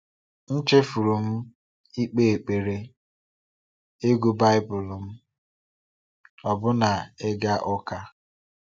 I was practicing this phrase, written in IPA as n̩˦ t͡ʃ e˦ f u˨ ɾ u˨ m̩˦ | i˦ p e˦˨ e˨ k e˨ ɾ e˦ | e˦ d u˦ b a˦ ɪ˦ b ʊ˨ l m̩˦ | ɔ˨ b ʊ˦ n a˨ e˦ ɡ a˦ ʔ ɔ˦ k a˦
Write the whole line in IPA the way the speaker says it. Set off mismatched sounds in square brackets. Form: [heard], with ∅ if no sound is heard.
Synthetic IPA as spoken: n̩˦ t͡ʃ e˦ f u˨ ɾ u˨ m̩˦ | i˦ [k͡p] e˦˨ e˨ [k͡p] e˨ ɾ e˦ | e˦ [ɡ] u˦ b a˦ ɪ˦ b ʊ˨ l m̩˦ | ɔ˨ b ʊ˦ n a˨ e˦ ɡ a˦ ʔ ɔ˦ k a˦